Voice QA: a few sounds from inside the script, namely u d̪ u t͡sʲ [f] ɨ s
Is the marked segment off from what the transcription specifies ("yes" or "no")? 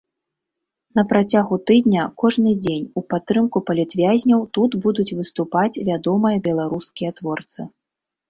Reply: yes